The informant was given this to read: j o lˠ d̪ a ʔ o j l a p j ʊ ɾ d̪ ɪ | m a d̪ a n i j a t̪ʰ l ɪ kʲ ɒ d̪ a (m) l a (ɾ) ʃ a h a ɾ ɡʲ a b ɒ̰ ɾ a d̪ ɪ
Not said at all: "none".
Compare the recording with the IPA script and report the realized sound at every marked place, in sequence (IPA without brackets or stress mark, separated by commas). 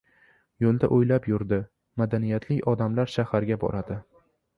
m, ɾ